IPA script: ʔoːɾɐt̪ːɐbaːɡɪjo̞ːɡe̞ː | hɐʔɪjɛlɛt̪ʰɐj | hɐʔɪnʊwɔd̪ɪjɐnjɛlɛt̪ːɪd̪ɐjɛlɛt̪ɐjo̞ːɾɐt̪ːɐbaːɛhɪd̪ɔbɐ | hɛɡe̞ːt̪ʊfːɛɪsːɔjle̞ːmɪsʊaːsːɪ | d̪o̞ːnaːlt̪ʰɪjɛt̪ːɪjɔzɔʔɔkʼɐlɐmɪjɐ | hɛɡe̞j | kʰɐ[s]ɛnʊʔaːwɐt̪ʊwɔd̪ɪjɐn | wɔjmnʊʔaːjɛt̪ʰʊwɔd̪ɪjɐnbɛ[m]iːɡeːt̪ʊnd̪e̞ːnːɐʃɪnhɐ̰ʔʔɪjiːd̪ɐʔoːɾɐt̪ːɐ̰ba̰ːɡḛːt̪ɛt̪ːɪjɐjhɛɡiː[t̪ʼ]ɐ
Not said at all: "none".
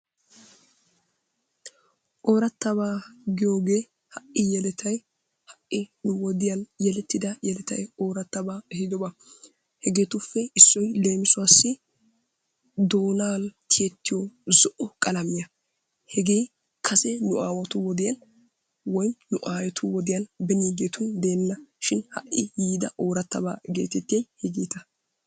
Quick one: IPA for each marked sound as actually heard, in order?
s, n, t̪

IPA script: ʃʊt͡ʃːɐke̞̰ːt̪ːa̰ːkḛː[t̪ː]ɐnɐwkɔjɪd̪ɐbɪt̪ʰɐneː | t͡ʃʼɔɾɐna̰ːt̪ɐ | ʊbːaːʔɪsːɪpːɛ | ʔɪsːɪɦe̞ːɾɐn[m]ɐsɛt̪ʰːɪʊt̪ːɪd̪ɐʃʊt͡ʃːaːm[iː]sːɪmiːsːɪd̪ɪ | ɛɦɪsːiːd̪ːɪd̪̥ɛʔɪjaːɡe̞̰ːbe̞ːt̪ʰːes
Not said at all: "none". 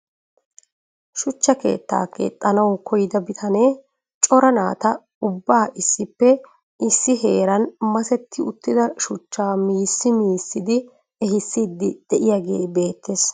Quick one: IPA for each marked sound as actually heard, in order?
t̪ʼː, m, iː

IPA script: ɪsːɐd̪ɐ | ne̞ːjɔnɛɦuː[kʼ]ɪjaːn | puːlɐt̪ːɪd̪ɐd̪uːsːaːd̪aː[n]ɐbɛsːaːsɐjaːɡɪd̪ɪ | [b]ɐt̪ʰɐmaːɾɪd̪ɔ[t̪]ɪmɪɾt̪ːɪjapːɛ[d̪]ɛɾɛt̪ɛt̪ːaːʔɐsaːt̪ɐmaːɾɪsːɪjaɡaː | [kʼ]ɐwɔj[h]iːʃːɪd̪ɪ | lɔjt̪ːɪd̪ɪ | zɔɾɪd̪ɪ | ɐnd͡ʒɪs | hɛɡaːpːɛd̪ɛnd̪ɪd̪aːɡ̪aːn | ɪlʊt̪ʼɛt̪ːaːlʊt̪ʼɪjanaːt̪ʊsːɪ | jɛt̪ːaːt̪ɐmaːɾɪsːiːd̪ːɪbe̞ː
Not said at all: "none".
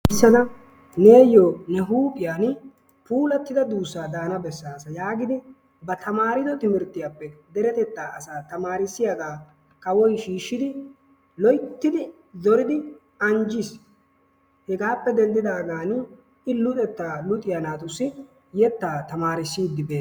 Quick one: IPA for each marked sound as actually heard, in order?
pʼ, n, b, t̪, d̪, k, ʃ

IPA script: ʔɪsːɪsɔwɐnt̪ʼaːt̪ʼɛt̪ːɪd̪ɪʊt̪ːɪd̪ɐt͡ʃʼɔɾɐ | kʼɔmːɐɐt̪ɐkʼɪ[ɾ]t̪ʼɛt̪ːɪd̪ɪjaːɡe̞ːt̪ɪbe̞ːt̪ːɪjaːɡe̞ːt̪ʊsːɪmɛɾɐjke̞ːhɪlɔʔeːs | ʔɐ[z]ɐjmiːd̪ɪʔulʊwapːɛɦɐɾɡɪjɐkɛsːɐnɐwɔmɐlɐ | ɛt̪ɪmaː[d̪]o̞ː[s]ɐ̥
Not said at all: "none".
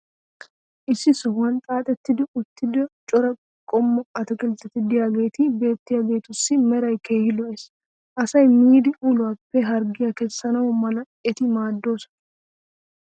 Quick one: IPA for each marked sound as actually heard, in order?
l, s, d̪ː, s

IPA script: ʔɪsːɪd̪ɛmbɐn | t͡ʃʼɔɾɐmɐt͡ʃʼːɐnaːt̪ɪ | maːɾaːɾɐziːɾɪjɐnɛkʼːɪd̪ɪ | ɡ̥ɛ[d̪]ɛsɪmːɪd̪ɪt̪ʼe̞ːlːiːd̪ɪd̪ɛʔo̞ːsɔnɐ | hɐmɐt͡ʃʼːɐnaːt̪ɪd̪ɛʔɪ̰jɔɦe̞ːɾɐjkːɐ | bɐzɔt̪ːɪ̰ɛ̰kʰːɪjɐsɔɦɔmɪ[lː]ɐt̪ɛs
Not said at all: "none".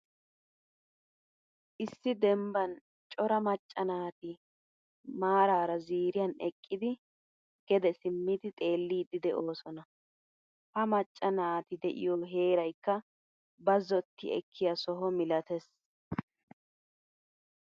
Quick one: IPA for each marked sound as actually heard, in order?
d̪, l

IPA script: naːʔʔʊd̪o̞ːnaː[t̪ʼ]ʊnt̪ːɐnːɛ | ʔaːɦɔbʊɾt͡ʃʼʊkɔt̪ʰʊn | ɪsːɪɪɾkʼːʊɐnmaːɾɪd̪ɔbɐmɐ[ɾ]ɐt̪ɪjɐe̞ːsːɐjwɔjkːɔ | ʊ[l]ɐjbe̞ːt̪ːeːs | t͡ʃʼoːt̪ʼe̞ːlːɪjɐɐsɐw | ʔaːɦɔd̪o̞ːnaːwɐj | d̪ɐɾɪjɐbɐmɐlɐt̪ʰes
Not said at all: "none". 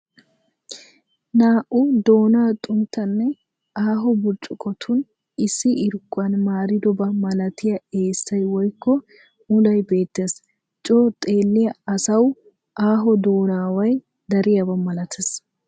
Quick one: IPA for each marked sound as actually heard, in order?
t̪ʼ, l, l

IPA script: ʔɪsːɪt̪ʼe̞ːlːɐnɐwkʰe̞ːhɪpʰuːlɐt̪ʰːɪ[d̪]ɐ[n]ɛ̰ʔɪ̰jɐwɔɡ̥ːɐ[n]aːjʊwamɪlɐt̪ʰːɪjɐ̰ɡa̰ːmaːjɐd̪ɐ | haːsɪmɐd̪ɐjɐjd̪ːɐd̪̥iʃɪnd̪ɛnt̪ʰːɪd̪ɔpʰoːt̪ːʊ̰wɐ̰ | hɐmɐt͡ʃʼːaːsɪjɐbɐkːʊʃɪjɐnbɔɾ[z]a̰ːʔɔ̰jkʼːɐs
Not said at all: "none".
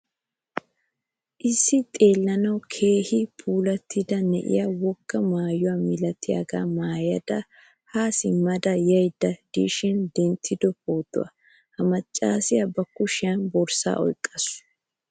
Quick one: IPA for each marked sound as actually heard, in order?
d̪, n, m, s

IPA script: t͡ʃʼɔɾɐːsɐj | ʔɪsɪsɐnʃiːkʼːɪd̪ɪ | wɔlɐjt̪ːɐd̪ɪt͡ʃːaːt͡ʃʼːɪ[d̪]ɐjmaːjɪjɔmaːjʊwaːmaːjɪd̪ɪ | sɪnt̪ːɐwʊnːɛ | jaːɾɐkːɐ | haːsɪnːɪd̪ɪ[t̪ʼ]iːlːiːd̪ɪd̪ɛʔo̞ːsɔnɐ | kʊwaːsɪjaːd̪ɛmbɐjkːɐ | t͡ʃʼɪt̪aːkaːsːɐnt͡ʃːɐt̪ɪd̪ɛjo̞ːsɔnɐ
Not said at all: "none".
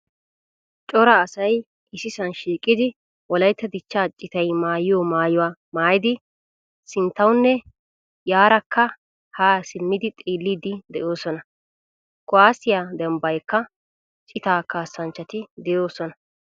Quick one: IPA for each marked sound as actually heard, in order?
t̪, t̪ʼ

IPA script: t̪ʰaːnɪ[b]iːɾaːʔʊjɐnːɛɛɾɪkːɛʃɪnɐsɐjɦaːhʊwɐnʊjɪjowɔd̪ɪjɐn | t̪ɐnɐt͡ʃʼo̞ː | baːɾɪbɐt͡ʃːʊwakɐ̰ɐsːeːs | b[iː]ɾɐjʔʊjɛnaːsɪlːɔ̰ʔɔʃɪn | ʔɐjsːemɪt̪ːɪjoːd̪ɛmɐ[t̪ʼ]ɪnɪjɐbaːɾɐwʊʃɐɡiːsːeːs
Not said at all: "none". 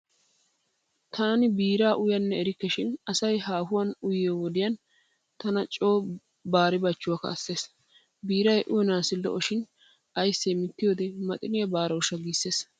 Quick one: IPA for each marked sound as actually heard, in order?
b, iː, t̪ʼ

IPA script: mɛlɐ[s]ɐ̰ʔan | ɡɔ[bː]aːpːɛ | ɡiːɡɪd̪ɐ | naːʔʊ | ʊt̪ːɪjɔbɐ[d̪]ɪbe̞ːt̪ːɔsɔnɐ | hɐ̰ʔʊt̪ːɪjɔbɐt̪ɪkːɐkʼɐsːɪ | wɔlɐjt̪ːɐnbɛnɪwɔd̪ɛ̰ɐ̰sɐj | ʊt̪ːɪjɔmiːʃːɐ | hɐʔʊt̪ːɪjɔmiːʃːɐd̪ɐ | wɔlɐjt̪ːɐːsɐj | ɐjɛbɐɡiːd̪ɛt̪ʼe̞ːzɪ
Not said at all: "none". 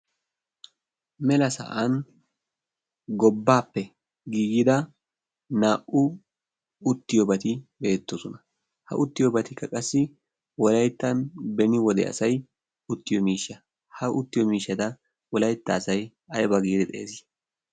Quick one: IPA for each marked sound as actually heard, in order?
s, bː, t̪

